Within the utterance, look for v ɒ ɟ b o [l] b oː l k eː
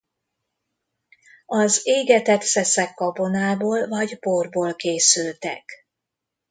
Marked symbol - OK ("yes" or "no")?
no